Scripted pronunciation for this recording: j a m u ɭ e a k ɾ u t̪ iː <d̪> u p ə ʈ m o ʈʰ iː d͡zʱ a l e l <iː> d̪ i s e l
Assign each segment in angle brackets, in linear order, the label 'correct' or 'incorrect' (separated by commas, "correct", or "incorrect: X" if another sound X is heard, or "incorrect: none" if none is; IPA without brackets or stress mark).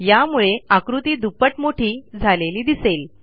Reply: correct, correct